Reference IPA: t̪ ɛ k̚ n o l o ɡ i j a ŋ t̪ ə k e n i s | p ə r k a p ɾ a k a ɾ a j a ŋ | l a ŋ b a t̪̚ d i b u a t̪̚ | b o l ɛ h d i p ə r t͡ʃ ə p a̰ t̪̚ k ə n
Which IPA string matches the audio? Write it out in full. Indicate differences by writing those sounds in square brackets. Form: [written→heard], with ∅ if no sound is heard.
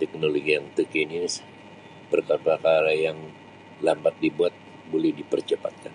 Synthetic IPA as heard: t̪ ɛ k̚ n o l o ɡ i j a ŋ t̪ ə k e n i s | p ə r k a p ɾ a k a ɾ a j a ŋ | l a [ŋ→m] b a t̪̚ d i b u a t̪̚ | b o l ɛ h d i p ə r t͡ʃ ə p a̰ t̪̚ k [ə→a] n